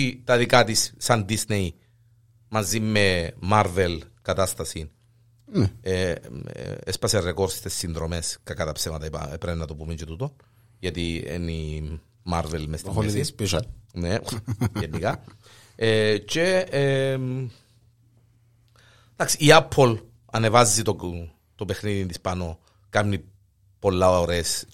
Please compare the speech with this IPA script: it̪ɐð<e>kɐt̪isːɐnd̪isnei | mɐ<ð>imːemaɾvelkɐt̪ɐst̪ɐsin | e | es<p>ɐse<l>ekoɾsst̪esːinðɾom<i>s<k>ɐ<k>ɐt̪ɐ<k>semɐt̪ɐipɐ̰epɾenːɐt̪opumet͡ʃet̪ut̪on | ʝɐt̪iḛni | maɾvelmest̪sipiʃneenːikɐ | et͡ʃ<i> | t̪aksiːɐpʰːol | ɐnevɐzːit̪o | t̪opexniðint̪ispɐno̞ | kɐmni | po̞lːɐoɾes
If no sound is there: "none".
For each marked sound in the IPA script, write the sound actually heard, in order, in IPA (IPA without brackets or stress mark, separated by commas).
i, z, p, r, e, k, k, p, e